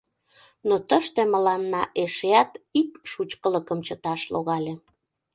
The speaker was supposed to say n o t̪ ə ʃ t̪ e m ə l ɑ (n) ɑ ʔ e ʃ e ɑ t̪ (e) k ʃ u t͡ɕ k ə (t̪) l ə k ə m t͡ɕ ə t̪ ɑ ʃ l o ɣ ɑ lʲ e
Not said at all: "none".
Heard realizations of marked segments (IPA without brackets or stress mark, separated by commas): nː, i, none